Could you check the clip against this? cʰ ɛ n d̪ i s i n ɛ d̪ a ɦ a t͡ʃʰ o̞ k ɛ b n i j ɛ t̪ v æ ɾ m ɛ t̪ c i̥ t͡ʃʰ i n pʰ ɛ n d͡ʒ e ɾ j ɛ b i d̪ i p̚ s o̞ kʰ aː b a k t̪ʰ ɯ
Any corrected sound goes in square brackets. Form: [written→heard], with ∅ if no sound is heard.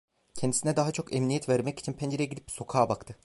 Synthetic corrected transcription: cʰ ɛ n d̪ i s i n ɛ d̪ a ɦ a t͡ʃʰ o̞ k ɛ [b→m] n i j ɛ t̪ v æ ɾ m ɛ [t̪→∅] c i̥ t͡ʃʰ i n pʰ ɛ n d͡ʒ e ɾ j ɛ [b→ɟ] i d̪ i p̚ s o̞ kʰ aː b a k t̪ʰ ɯ